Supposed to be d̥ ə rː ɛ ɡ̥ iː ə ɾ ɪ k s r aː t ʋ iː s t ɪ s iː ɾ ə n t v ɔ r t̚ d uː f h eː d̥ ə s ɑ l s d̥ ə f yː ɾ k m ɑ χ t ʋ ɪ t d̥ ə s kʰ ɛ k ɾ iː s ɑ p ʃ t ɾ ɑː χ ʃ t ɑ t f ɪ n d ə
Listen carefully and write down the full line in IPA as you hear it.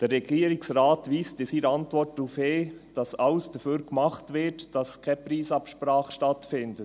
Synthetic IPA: d̥ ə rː ɛ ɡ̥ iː ə ɾ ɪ k s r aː t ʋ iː s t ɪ s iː ɾ ɑ n t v ɔ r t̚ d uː f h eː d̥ ɑ s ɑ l s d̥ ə f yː ɾ k m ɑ χ t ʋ ɪ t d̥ ɑ s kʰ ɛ p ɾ iː s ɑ p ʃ p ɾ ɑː χ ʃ t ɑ t f ɪ n d ə